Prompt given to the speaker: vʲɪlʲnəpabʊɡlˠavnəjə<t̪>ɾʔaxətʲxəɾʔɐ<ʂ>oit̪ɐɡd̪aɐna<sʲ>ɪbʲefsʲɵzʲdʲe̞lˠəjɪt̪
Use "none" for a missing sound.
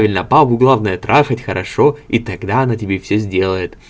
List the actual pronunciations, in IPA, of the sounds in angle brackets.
t̪, ʂ, tʲ

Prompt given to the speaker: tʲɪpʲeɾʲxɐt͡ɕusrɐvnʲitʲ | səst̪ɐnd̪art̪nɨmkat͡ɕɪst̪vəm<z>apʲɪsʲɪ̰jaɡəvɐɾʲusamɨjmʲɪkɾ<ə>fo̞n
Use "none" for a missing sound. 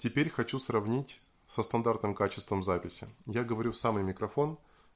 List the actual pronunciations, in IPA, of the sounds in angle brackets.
z, ɐ

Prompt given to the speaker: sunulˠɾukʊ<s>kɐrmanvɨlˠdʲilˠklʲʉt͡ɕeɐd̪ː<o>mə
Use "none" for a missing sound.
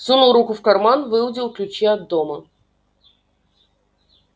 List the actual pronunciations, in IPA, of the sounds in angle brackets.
f, o

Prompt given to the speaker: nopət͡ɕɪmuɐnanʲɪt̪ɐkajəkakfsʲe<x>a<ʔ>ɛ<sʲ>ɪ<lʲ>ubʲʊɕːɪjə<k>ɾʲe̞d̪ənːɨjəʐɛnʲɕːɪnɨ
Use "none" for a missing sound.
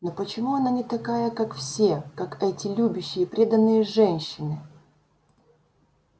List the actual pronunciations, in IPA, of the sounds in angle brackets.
k, k, tʲ, lʲ, p

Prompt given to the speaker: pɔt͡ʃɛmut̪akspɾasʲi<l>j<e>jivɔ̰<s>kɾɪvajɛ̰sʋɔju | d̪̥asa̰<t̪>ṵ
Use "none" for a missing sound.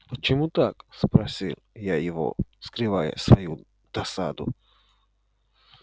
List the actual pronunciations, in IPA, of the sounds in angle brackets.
l, a, s, d̪

